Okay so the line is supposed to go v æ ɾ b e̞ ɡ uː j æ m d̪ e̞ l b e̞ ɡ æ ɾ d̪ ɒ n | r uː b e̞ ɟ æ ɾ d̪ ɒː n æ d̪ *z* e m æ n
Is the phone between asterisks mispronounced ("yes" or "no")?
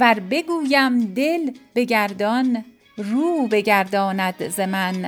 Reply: no